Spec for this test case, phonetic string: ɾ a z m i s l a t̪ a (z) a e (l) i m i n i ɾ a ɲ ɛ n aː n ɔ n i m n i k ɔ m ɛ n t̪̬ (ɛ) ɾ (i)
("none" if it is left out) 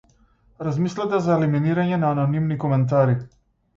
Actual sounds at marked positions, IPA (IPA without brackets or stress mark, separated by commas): z, l, a, i